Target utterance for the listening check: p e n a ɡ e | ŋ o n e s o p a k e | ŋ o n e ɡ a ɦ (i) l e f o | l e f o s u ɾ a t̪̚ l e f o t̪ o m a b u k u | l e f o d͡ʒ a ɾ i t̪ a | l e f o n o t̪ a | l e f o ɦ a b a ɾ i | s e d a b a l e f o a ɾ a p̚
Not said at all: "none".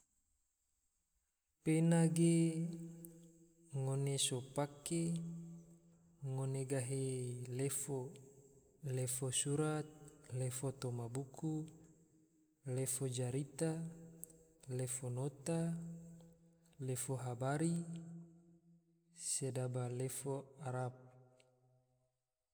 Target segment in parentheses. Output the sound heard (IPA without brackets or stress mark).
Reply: e